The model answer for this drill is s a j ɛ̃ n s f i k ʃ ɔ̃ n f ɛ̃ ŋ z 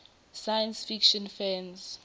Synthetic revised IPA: s a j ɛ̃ n s f i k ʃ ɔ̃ n f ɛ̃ n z